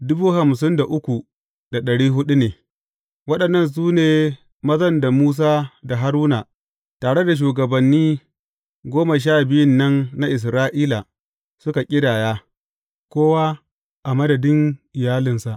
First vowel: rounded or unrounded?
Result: rounded